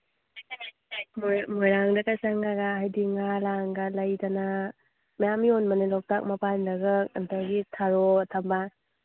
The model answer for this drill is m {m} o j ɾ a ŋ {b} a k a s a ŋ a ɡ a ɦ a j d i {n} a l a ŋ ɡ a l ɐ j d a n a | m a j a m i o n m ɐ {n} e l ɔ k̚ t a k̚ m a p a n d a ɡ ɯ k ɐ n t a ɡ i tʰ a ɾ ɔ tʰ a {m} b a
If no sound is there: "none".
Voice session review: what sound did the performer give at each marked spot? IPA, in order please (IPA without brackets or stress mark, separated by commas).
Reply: m, d, ŋ, n, m